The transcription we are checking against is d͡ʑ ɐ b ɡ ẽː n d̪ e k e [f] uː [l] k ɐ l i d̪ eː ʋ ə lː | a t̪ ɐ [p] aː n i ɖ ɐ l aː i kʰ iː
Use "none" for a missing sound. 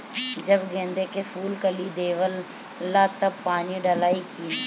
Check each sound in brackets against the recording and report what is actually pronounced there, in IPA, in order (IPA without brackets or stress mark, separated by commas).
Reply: f, l, p